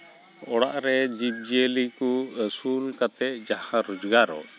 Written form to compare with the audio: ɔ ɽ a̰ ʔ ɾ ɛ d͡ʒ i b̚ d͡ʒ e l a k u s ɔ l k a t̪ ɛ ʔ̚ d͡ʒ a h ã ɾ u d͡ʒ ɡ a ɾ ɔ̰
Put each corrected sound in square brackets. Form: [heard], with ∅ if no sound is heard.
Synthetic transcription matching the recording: ɔ ɽ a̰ ʔ ɾ ɛ d͡ʒ i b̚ d͡ʒ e l [i] k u s [u] l k a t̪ ɛ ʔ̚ d͡ʒ a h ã ɾ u d͡ʒ ɡ a ɾ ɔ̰